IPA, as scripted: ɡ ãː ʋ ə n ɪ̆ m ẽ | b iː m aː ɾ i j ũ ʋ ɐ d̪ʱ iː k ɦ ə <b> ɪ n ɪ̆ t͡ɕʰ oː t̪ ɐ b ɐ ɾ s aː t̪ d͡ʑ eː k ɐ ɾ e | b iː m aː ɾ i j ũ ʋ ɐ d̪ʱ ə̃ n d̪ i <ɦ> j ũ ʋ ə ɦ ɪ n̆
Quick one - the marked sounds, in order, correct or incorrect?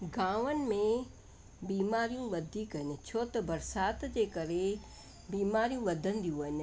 incorrect: none, incorrect: none

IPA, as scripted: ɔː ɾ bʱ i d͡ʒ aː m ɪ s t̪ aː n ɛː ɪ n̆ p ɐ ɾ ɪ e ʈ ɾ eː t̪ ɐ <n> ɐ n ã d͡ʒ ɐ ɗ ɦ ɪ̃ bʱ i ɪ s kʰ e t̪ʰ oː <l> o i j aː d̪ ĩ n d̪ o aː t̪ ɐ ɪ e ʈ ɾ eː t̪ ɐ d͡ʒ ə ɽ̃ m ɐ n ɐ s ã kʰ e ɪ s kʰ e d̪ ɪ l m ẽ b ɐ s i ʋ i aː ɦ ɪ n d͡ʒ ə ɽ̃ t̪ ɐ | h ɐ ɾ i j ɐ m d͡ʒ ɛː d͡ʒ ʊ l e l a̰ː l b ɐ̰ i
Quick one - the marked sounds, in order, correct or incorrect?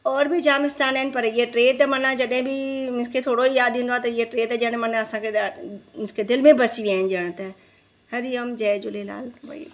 incorrect: m, incorrect: ɽ

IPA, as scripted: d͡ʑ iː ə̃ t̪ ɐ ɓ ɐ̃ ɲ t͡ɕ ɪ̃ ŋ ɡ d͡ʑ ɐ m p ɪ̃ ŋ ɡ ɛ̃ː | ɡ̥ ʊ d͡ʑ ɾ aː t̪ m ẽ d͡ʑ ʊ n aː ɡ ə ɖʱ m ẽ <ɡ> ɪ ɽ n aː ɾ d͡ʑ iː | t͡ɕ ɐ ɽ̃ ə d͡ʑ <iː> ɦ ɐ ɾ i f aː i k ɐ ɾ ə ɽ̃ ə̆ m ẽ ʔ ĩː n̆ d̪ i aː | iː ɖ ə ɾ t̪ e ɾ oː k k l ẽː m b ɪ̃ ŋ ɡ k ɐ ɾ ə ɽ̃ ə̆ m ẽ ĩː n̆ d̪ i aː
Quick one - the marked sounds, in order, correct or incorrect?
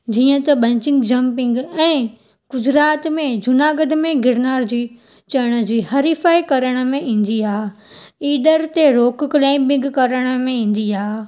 correct, correct

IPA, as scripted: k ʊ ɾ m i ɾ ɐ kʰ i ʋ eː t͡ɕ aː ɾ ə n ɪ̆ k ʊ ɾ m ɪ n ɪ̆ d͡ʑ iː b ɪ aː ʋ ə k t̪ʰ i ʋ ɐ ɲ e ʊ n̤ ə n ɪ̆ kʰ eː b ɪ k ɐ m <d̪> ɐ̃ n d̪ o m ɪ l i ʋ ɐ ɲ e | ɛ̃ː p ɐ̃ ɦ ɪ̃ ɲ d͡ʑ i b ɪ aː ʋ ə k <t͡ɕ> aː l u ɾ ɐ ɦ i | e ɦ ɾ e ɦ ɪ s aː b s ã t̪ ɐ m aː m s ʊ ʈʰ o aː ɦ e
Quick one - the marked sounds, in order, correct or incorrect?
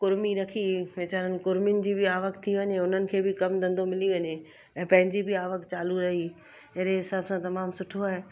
correct, correct

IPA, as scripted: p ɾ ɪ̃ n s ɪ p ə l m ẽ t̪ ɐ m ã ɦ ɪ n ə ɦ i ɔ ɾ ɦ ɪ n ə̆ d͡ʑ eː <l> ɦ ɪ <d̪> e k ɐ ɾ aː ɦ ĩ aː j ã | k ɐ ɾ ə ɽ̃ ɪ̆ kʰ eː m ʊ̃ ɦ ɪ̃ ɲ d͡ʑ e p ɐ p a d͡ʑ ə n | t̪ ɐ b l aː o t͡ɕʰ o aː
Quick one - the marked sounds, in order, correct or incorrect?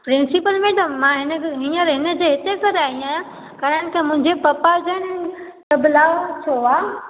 incorrect: none, incorrect: t̪

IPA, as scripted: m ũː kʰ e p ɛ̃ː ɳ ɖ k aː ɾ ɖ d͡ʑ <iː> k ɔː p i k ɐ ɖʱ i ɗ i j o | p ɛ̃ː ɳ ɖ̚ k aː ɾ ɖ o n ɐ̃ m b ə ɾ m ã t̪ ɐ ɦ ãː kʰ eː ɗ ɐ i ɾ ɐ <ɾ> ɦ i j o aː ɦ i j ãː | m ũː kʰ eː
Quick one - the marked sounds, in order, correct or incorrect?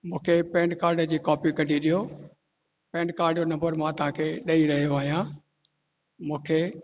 correct, incorrect: none

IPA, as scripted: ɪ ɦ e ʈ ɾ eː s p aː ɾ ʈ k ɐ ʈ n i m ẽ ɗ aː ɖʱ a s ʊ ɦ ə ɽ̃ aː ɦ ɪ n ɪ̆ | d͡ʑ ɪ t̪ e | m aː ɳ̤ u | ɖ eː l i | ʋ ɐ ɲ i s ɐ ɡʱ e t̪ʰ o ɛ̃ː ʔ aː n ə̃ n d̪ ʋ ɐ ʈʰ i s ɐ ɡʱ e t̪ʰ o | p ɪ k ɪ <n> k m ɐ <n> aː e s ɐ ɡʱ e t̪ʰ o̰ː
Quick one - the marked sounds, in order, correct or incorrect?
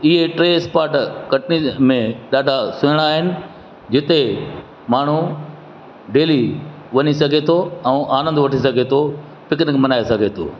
correct, correct

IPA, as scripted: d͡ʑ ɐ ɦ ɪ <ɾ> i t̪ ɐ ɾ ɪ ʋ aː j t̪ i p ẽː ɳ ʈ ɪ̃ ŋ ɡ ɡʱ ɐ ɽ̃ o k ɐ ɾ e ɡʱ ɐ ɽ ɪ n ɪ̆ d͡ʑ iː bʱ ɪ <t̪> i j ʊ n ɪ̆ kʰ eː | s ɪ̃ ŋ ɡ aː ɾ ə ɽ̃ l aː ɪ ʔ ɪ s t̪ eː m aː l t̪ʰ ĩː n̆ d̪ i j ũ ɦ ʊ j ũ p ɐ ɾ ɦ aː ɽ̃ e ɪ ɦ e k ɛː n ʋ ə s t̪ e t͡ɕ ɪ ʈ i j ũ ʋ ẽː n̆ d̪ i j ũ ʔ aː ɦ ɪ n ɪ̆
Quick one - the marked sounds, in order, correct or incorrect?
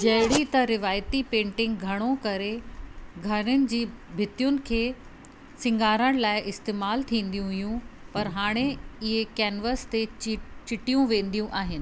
incorrect: ɽ, correct

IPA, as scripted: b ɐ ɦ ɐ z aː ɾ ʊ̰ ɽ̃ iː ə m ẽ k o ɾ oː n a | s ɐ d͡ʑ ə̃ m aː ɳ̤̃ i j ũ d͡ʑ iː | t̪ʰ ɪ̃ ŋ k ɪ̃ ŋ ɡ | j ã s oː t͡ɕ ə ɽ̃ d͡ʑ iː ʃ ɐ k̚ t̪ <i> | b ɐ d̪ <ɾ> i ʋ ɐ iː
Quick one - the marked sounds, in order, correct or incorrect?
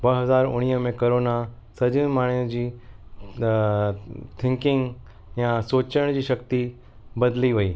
correct, incorrect: l

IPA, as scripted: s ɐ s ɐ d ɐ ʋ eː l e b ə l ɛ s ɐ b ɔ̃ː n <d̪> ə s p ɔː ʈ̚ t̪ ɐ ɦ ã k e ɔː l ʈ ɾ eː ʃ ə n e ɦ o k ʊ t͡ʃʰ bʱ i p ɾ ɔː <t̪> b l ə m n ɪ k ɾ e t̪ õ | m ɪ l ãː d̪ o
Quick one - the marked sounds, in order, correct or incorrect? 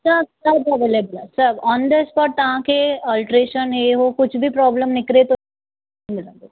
correct, incorrect: none

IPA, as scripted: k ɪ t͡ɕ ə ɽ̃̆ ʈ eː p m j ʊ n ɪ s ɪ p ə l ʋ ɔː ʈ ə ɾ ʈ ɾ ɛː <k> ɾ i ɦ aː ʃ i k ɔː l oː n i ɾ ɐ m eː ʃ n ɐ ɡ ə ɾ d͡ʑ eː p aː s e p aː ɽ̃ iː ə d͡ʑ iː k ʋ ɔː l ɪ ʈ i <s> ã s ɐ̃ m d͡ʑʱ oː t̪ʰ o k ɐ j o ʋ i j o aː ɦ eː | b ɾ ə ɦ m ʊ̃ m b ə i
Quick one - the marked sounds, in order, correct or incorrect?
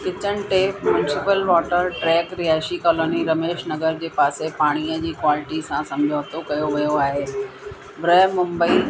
correct, correct

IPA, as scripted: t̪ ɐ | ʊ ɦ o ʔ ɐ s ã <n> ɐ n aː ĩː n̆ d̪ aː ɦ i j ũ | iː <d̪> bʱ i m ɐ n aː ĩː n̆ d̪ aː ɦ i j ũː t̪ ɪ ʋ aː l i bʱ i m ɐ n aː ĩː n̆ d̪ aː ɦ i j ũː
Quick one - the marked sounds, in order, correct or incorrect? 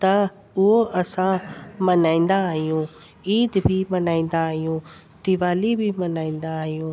incorrect: m, correct

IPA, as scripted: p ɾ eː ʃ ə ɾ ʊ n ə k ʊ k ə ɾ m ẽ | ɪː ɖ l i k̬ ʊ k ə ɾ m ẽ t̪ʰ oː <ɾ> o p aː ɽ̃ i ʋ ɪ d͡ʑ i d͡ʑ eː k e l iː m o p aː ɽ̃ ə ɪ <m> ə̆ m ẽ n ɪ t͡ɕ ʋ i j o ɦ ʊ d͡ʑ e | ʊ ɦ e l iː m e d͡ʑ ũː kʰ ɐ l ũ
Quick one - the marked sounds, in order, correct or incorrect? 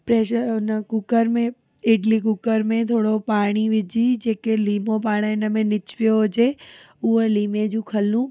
incorrect: ɽ, incorrect: n

